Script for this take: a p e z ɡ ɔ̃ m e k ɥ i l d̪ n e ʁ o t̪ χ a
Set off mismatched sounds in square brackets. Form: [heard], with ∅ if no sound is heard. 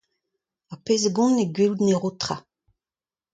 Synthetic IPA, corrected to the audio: a p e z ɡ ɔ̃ [n] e [ɡ] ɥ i l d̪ n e ʁ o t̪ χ a